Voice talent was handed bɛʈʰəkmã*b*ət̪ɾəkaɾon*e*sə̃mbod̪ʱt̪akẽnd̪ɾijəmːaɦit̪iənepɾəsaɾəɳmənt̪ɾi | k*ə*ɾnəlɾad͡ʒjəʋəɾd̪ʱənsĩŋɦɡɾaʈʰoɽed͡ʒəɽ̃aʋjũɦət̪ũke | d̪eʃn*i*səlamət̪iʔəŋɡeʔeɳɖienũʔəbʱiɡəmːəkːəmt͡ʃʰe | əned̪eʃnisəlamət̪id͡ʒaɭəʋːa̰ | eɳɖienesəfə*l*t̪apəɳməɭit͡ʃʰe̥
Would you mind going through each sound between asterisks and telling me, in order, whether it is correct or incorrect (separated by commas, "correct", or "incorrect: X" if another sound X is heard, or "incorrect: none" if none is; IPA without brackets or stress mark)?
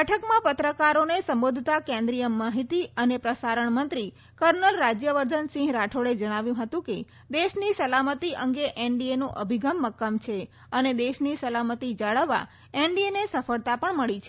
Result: incorrect: p, correct, correct, correct, incorrect: ɭ